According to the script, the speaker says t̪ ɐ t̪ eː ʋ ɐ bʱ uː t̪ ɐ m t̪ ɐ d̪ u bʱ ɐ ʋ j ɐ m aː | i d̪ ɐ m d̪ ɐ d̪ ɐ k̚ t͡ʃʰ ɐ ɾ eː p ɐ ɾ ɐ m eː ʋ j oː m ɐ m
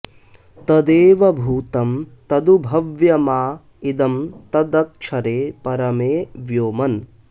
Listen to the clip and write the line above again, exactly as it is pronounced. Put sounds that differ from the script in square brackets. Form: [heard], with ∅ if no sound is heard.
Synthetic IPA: t̪ ɐ [d̪] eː ʋ ɐ bʱ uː t̪ ɐ m t̪ ɐ d̪ u bʱ ɐ ʋ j ɐ m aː | i d̪ ɐ m [t̪] ɐ d̪ ɐ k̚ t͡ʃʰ ɐ ɾ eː p ɐ ɾ ɐ m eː ʋ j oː m ɐ [n]